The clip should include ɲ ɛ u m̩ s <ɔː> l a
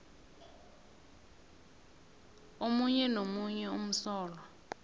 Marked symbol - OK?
yes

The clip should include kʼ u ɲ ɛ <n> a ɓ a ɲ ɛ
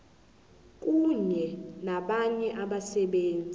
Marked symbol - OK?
yes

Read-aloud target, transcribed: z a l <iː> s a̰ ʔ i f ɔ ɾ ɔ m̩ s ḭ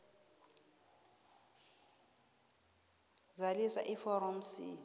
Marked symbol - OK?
no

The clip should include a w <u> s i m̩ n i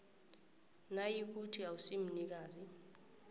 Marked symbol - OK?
yes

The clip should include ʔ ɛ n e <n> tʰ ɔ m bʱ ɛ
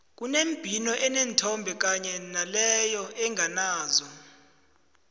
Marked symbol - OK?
yes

